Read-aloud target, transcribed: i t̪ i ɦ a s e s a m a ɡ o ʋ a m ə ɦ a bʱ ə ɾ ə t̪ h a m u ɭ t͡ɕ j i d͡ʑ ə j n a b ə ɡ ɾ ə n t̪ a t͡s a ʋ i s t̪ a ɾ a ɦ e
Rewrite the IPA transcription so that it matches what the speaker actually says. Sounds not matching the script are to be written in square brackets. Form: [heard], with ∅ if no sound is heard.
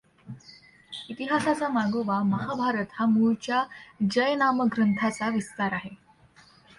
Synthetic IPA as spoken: i t̪ i ɦ a s [a] s a m a ɡ o ʋ a m ə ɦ a bʱ [a] ɾ ə t̪ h a m u ɭ t͡ɕ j [a] d͡ʑ ə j n a [m] ə ɡ ɾ ə n [t̪ʰ] a t͡s a ʋ i s t̪ a ɾ a ɦ e

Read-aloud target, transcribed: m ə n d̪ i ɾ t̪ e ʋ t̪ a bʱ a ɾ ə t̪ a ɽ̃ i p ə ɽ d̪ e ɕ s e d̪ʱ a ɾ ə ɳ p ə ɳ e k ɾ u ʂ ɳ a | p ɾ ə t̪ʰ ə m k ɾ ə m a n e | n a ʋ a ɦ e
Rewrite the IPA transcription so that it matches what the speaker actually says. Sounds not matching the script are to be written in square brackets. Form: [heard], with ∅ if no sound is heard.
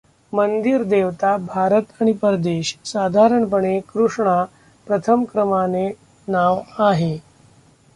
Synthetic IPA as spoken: m ə n d̪ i ɾ [d̪] e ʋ t̪ a bʱ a ɾ ə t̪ a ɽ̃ i p ə [ɾ] d̪ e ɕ s [a] d̪ʱ a ɾ ə ɳ p ə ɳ e k ɾ u ʂ ɳ a | p ɾ ə t̪ʰ ə m k ɾ ə m a n e | n a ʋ a ɦ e

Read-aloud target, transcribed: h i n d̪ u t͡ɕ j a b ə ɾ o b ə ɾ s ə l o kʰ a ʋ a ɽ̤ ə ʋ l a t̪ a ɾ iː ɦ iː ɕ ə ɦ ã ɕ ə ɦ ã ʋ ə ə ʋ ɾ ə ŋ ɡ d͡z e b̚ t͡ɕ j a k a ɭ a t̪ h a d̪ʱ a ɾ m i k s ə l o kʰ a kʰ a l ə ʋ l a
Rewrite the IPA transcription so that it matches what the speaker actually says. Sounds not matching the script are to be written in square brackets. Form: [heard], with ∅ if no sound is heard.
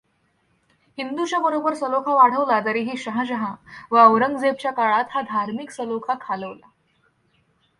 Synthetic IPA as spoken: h i n d̪ u t͡ɕ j a b ə ɾ o b ə ɾ s ə l o kʰ a ʋ a ɽ̤ ə ʋ l a t̪ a ɾ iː ɦ iː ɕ ə ɦ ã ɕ ə ɦ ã ʋ ə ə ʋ ɾ ə ŋ ɡ d͡z e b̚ t͡ɕ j a k a ɭ a t̪ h a d̪ʱ a ɾ m i k s ə l o kʰ a kʰ a l ə ʋ l a

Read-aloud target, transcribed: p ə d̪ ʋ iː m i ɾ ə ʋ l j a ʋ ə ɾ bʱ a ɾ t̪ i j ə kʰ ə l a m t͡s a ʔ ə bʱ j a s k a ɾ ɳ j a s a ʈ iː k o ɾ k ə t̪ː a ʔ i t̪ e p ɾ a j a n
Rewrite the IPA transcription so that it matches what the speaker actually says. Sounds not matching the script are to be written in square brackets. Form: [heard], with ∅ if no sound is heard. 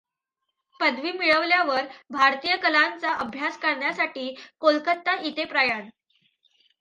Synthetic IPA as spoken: p ə d̪ ʋ iː m i [ɭ] ə ʋ l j a ʋ ə ɾ bʱ a ɾ t̪ i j ə [k] ə l a [n] t͡s a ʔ ə bʱ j a s k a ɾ ɳ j a s a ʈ iː k o [l] k ə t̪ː a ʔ i t̪ e p ɾ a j a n

